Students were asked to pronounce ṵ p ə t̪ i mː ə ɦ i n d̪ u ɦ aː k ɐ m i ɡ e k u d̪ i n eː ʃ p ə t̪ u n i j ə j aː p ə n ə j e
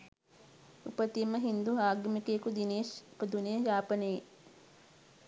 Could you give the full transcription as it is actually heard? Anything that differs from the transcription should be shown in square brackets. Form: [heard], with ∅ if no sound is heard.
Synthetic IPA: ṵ p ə t̪ i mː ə ɦ i n d̪ u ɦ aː [ɡ] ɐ m i [k] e k u d̪ i n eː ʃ p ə [d̪] u n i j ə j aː p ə n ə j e